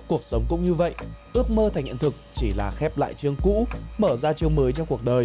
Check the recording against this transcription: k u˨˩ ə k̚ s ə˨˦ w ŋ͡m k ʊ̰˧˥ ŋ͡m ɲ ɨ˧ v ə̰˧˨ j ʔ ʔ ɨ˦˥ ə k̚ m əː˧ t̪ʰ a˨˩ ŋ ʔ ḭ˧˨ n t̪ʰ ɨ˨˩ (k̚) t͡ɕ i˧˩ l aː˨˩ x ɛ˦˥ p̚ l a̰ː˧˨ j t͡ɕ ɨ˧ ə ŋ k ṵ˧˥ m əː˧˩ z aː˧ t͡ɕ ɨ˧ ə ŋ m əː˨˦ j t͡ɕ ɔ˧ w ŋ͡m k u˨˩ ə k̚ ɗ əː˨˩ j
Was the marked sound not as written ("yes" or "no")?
no